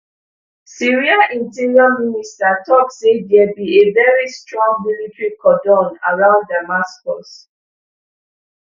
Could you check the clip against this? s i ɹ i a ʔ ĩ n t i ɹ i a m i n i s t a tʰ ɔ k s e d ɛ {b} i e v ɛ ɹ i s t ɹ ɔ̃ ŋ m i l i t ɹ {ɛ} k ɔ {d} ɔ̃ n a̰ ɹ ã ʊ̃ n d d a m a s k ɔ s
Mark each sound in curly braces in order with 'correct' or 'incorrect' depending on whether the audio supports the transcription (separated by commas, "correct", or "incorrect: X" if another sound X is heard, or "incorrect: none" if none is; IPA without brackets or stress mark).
correct, incorrect: i, correct